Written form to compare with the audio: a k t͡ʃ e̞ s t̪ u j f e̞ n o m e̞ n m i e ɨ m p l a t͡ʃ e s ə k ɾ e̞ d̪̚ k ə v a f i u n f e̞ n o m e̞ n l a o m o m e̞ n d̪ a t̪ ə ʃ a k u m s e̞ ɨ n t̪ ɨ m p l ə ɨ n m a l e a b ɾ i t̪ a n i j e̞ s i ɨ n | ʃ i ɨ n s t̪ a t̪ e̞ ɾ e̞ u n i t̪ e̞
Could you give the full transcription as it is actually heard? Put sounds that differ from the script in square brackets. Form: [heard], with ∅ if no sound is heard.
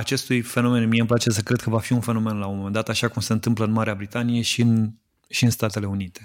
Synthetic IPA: a [∅] t͡ʃ e̞ s t̪ u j f e̞ n o m e̞ n m i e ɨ m p l a t͡ʃ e s ə k ɾ e̞ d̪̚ k ə v a f i u n f e̞ n o m e̞ n l a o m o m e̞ n d̪ a t̪ [a] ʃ a k u m s e̞ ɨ n t̪ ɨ m p l ə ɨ n m a [ɾ] e a b ɾ i t̪ a n i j e̞ [ʃ] i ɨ n | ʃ i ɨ n s t̪ a t̪ e̞ [l] e̞ u n i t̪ e̞